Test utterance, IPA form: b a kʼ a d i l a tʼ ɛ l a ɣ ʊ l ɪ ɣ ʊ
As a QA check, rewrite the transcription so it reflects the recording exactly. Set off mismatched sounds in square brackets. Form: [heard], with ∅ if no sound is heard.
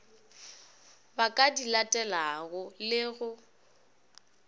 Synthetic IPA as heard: b a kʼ a d i l a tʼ ɛ l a ɣ ʊ l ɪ ɣ ʊ